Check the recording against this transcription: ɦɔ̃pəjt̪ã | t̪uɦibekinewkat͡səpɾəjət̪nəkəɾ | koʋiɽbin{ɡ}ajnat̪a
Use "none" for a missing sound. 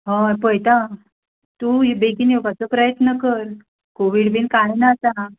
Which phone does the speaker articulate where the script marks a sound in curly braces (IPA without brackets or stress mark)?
k